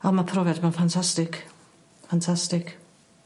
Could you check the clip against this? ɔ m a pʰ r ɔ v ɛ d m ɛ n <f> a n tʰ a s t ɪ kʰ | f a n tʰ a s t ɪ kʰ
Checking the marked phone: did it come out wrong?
no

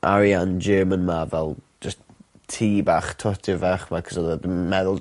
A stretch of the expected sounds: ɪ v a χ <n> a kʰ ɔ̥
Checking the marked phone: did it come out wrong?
yes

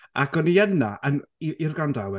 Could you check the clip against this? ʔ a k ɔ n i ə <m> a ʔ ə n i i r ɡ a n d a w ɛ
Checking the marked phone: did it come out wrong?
yes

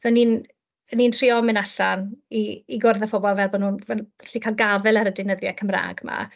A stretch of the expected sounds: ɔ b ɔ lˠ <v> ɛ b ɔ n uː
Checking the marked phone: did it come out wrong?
no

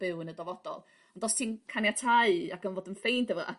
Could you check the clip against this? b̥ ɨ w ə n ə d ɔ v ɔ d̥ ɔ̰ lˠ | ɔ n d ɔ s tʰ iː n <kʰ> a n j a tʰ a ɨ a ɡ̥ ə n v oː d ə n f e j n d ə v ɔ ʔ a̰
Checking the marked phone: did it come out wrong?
no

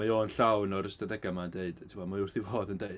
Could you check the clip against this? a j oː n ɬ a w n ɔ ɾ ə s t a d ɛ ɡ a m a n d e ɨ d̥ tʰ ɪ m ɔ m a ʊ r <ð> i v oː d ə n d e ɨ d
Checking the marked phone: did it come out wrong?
yes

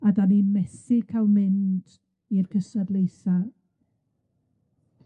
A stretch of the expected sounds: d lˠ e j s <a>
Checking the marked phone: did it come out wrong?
no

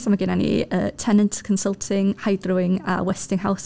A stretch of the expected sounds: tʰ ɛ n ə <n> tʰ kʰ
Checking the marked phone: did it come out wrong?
no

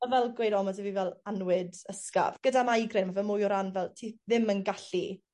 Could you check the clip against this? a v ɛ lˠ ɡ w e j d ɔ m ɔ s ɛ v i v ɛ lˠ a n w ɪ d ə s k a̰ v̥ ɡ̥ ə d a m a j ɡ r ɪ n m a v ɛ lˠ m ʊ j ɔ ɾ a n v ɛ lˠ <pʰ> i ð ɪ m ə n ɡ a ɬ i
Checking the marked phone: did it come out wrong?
yes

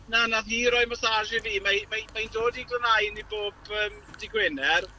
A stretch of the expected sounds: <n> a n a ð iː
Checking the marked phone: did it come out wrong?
no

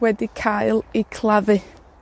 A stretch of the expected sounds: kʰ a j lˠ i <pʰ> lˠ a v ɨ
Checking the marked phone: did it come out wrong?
yes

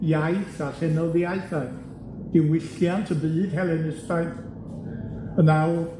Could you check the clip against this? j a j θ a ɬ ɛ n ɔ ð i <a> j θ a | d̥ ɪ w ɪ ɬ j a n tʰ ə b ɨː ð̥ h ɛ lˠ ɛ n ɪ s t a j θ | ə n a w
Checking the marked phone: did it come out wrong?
no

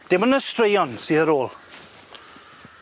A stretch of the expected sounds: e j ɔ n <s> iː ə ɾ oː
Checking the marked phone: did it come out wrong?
no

